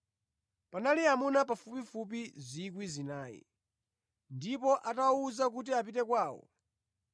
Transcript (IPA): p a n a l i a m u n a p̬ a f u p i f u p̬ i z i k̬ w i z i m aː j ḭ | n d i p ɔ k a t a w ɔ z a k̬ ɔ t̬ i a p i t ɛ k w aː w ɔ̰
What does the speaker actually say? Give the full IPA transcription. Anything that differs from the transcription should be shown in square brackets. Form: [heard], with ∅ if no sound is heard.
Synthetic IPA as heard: p a n a l i a m u n a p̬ a f u p i f u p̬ i z i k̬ w i z i [n] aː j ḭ | n d i p ɔ [ʔ] a t a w [u] z a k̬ [u] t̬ i a p i t ɛ k w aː w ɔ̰